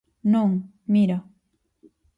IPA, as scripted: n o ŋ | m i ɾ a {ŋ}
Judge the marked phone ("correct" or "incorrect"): incorrect